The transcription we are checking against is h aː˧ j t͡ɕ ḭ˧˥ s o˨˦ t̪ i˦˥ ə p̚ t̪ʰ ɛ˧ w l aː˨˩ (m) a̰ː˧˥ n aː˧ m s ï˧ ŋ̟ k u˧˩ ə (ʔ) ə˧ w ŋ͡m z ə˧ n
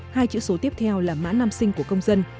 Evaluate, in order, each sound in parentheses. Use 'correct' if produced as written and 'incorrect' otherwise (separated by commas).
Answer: correct, incorrect